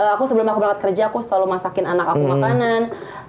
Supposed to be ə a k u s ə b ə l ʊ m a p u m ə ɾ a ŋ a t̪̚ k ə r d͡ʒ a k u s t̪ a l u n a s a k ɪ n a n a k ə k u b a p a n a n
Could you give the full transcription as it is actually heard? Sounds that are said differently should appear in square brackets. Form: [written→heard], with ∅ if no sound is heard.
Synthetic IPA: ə a k u s ə b ə l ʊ m a [p→k] u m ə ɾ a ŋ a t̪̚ k ə r d͡ʒ a k u s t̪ a l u [n→m] a s a k ɪ n a n a k [ə→a] k u [b→m] a [p→k] a n a n